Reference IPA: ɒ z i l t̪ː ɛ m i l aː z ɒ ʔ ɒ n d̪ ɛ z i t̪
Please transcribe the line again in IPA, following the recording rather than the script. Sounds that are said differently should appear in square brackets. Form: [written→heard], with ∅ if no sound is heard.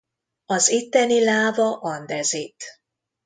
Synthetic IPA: ɒ z i [l→∅] t̪ː ɛ [m→n] i l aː [z→v] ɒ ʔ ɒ n d̪ ɛ z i t̪